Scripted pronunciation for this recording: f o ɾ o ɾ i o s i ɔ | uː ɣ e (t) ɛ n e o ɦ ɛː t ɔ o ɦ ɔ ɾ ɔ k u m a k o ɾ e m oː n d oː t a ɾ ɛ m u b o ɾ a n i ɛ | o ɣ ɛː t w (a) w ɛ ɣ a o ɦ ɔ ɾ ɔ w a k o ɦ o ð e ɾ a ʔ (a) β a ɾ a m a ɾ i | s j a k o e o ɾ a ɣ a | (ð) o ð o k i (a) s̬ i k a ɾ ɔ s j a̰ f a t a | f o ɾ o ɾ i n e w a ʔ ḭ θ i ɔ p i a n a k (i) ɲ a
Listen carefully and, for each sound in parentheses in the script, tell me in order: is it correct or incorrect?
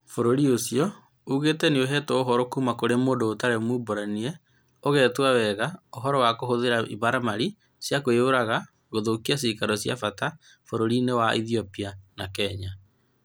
correct, correct, incorrect, incorrect, correct, incorrect

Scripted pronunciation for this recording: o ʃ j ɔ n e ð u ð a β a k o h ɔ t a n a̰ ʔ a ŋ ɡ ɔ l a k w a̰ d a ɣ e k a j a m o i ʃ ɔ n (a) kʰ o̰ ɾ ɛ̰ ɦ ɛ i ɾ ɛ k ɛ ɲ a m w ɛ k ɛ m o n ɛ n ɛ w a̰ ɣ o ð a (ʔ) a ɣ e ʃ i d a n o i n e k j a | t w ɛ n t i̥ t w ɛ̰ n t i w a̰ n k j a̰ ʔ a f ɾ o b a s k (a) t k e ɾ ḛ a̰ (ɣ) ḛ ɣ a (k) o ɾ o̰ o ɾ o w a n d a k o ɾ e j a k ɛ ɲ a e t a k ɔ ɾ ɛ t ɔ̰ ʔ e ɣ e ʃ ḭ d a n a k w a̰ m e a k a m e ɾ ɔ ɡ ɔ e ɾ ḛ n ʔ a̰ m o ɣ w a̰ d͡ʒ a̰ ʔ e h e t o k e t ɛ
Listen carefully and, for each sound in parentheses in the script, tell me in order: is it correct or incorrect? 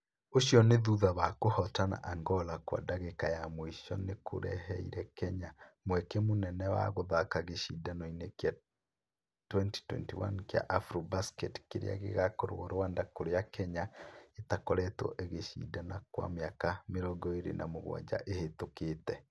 incorrect, incorrect, incorrect, correct, correct

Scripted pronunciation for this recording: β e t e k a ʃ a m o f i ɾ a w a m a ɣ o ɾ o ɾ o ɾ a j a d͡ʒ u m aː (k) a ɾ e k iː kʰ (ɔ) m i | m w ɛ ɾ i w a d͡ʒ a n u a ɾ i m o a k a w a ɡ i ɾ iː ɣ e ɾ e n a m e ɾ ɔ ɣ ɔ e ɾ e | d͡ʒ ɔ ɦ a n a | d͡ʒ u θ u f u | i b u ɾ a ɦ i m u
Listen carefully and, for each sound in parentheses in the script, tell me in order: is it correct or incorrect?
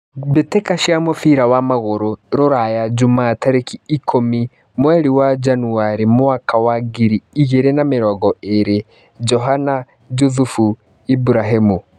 incorrect, incorrect

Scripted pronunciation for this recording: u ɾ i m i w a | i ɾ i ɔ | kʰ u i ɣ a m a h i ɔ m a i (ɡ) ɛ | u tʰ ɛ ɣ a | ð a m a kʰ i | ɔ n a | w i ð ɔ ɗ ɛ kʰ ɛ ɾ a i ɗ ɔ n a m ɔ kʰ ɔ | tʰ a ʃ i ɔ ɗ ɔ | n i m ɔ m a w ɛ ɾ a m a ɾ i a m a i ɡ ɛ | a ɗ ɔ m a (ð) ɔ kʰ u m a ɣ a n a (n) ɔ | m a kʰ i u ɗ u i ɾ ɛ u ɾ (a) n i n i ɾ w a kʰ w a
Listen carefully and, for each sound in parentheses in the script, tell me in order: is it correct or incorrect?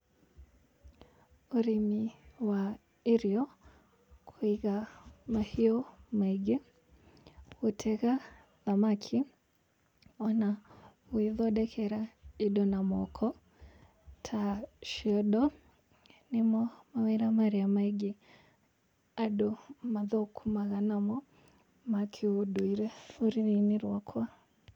correct, correct, incorrect, incorrect

